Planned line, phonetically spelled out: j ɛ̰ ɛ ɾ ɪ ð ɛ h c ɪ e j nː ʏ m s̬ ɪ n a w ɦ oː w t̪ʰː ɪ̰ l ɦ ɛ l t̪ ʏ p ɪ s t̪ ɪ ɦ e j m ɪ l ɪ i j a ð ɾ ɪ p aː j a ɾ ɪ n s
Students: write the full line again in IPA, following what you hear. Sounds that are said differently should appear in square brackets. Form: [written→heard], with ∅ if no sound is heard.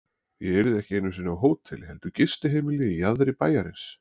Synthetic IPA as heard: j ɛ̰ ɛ ɾ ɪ ð ɛ h c ɪ e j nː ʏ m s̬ ɪ n a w ɦ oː w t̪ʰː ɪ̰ l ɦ ɛ l t̪ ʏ [p→c] ɪ s t̪ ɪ ɦ e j m ɪ l ɪ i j a ð ɾ ɪ p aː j a ɾ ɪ n s